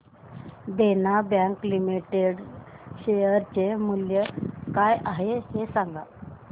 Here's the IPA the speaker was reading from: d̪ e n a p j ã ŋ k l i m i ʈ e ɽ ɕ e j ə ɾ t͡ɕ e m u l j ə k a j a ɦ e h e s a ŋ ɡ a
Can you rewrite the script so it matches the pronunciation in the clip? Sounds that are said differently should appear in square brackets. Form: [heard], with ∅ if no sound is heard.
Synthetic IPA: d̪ e n a [b] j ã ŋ k l i m i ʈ e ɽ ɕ e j ə ɾ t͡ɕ e m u l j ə k a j a ɦ e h e s a ŋ ɡ a